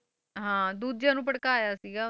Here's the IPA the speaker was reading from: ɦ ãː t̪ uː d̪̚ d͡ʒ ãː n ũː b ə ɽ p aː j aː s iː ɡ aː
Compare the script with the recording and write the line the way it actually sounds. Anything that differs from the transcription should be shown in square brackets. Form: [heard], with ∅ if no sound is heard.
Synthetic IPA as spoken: ɦ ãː [d̪] uː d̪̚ d͡ʒ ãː n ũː [p] ə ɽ [k] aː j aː s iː ɡ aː

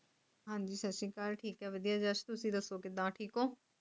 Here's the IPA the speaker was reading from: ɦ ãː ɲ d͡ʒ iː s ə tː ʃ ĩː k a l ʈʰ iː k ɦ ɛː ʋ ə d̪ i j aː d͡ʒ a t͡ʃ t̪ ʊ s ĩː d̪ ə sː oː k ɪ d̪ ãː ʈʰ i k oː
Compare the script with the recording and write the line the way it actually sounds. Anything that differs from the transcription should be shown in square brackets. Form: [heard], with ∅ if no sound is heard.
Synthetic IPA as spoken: ɦ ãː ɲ d͡ʒ iː s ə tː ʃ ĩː k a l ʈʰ iː k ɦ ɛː ʋ ə d̪ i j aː d͡ʒ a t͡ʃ t̪ ʊ s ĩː d̪ ə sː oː k ɪ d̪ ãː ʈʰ [iː] k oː

